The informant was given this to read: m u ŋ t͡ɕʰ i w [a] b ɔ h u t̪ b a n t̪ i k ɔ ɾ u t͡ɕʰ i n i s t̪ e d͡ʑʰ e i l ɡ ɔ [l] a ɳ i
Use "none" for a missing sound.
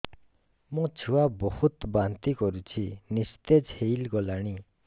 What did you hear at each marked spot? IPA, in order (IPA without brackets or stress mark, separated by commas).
a, l